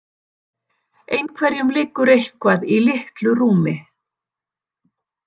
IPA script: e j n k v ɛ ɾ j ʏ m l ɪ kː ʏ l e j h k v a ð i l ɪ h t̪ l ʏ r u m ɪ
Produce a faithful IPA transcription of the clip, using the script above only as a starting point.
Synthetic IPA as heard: e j n kʰ v ɛ ɾ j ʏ m l ɪ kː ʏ ɾ e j h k v a ð i l ɪ h t̪ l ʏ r uː m ɪ